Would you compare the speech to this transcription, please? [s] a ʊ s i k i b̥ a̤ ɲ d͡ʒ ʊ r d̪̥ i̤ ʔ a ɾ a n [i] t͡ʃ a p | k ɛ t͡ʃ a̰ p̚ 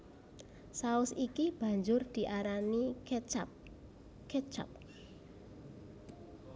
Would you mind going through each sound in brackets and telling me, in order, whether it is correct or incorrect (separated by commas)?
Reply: correct, correct